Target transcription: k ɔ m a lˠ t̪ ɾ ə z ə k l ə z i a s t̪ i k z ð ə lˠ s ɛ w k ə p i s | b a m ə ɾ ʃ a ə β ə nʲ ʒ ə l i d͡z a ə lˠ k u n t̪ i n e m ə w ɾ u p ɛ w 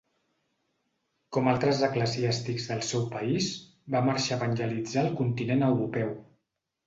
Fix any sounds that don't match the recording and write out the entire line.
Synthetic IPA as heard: k ɔ m a lˠ t̪ ɾ ə z ə k l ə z i a s t̪ i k z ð ə lˠ s ɛ w p ə i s | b a m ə ɾ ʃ a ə β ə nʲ ʒ ə l i d͡z a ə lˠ k u n t̪ i n e n ə w ɾ u p ɛ w